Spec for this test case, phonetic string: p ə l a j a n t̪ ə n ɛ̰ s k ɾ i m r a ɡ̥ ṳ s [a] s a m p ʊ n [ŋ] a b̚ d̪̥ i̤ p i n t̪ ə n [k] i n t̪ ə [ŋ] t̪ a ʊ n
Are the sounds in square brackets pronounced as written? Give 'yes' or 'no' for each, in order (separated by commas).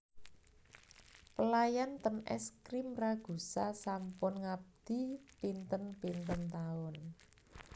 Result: yes, yes, no, no